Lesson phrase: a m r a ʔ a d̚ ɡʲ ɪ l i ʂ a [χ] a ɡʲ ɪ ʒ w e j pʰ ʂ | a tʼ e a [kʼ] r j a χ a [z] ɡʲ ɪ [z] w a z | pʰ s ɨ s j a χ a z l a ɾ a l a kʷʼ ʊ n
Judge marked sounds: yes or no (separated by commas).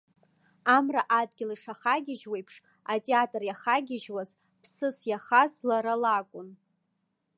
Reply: yes, no, no, no